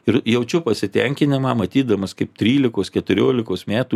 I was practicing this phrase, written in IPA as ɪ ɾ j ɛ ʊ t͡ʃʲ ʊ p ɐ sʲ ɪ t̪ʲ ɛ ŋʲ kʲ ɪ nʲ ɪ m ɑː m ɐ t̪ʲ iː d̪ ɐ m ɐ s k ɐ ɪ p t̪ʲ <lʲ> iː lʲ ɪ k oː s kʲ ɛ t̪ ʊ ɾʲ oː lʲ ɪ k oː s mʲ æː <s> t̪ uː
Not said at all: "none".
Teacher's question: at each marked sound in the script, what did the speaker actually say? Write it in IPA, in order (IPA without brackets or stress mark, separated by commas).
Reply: ɾʲ, none